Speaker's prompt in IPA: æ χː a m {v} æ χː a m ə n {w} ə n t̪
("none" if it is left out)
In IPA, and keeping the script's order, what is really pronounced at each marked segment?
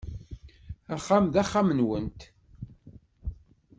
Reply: ð, w

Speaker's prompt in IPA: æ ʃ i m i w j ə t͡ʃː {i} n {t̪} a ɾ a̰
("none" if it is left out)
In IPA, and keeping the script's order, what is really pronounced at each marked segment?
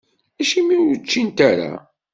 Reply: i, t̪

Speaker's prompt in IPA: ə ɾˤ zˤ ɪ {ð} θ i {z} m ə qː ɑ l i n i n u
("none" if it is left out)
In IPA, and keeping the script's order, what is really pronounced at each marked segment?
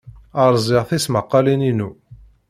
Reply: ʁ, s

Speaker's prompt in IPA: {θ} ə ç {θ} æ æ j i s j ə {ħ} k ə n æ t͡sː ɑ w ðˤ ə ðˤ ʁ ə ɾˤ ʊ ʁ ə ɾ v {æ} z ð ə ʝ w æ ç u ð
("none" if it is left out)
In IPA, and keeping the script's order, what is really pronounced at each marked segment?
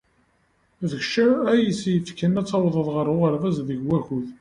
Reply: ð, ʃ, f, æ

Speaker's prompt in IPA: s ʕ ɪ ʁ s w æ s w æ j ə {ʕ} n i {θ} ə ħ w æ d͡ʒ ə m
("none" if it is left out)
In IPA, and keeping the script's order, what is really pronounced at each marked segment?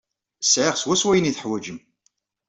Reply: none, θ

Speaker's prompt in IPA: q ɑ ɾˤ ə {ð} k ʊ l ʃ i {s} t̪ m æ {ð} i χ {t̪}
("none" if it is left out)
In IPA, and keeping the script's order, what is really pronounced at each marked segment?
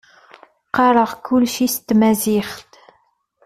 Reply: ʁ, s, z, t̪

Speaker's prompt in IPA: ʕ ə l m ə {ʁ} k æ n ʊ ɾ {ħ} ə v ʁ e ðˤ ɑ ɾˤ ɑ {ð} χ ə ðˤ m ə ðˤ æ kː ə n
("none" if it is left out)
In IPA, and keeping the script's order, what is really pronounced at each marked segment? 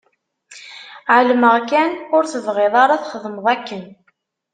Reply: ʁ, θ, θ

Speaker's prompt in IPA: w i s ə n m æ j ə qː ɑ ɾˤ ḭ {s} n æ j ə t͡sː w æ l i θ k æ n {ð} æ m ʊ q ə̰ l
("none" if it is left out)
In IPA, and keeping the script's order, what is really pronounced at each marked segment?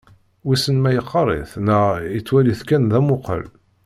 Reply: θ, ð

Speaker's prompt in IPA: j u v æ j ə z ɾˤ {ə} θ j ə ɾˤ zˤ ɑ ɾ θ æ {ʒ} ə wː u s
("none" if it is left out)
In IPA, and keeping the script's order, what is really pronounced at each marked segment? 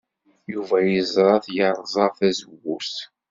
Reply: ɑ, z

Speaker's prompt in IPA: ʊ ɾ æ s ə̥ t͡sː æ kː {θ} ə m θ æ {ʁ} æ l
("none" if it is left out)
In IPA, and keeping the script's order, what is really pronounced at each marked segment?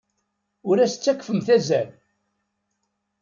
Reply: f, z

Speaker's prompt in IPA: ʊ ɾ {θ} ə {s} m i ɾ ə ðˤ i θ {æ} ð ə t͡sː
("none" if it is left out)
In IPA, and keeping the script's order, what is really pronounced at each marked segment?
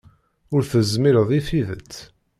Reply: θ, z, i

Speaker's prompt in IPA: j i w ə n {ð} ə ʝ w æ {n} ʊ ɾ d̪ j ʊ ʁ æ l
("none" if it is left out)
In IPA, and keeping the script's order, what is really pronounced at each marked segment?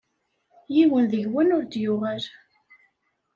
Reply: ð, n

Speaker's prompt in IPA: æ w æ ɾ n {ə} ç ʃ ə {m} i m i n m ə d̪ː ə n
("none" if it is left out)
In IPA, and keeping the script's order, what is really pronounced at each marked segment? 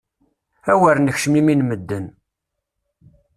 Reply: ə, m

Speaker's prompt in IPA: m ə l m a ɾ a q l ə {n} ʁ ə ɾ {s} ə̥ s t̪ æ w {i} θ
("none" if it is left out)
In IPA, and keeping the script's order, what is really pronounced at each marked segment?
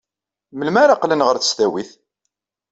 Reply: n, θ, i

